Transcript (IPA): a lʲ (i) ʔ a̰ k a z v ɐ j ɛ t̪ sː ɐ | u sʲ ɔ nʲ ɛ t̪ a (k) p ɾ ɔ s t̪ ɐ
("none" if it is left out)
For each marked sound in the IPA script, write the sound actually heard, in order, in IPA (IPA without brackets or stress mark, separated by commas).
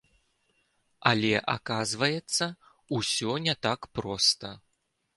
ɛ, k